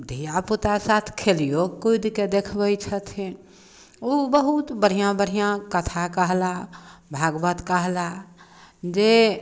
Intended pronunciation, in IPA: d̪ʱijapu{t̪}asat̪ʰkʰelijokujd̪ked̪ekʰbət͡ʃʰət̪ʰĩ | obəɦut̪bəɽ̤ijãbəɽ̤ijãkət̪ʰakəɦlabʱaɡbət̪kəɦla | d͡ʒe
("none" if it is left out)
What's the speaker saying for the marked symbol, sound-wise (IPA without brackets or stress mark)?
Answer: t̪